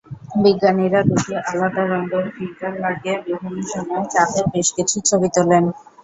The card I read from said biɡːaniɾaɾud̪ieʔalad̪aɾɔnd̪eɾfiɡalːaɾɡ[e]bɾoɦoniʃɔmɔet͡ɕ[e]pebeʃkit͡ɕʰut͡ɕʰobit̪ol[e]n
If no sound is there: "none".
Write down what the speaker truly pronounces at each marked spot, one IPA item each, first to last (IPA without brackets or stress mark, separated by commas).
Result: e, a, e